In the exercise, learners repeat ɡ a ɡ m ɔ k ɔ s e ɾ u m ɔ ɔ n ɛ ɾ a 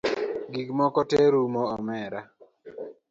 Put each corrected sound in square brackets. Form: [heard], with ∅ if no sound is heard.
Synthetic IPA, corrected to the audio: ɡ [i] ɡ m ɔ k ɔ [t] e ɾ u m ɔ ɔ [m] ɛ ɾ a